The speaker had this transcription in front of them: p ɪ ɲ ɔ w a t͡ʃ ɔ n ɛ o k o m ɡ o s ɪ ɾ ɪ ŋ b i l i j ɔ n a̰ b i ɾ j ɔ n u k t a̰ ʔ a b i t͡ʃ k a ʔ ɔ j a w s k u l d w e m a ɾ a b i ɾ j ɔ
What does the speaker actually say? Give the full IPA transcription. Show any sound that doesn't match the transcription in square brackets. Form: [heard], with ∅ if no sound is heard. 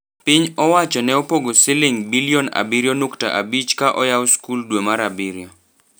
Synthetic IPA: p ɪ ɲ ɔ w a t͡ʃ ɔ n ɛ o [p] o [∅] ɡ o s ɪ [l] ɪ ŋ b i l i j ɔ n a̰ b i ɾ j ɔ n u k t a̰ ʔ a b i t͡ʃ k a ʔ ɔ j a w s k u l d w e m a ɾ a b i ɾ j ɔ